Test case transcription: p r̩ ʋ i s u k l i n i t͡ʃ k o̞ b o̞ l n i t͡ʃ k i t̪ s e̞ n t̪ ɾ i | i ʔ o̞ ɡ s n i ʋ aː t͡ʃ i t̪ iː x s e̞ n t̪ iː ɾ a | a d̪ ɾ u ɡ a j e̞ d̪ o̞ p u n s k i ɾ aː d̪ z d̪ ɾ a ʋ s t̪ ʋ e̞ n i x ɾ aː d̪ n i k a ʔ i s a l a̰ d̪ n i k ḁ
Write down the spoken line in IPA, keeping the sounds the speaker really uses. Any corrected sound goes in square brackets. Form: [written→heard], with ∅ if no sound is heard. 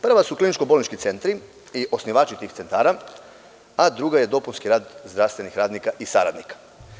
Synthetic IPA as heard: p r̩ ʋ [i→a] s u k l i n i t͡ʃ k o̞ b o̞ l n i t͡ʃ k i t̪ s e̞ n t̪ ɾ i | i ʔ o̞ [ɡ→∅] s n i ʋ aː t͡ʃ i t̪ iː x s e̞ n t̪ [iː→aː] ɾ a | a d̪ ɾ u ɡ a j e̞ d̪ o̞ p u n s k i ɾ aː d̪ z d̪ ɾ a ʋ s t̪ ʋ e̞ n i x ɾ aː d̪ n i k a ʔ i s a [l→ɾ] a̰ d̪ n i k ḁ